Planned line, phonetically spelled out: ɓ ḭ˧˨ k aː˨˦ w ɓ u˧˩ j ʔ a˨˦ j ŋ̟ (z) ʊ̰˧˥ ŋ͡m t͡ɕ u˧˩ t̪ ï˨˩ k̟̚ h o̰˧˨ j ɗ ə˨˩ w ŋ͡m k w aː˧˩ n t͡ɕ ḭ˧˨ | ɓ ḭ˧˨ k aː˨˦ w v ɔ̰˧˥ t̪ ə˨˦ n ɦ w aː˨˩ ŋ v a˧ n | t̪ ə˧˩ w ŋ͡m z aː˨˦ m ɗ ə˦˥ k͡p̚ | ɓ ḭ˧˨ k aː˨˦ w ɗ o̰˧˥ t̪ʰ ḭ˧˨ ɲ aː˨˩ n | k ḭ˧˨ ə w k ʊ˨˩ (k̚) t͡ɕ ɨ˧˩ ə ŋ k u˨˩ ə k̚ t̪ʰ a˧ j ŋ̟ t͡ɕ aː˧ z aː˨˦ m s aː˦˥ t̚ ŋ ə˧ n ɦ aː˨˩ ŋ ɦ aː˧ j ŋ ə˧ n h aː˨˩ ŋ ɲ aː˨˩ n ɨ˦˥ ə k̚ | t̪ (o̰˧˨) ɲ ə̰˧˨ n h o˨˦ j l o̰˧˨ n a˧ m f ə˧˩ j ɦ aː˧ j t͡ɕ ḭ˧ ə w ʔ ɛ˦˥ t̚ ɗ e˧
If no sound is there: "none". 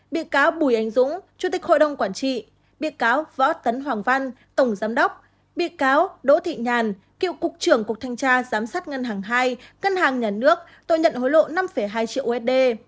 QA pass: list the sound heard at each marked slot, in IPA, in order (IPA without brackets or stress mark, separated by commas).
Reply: z, k̚, o̰˧˨